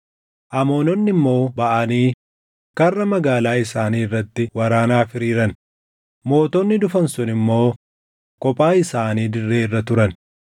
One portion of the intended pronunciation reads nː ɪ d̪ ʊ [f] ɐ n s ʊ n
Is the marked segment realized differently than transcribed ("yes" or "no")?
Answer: no